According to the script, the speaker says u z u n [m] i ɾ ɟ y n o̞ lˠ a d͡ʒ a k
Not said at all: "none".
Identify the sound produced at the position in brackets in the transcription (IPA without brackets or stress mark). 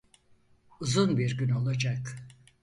b